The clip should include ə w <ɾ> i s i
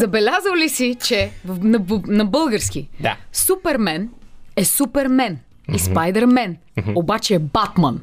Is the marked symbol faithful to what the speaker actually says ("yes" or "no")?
no